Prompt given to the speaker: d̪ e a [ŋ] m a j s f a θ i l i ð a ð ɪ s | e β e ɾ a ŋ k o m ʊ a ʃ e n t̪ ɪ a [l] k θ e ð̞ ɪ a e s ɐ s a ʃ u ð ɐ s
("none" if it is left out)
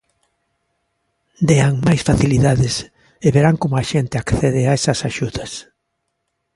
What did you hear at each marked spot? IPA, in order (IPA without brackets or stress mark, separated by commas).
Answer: ŋ, none